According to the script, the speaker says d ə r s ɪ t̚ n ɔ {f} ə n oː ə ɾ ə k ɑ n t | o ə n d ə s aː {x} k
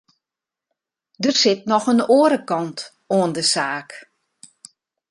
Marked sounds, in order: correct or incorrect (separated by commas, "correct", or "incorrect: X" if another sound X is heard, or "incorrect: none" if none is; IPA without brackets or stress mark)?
incorrect: x, incorrect: none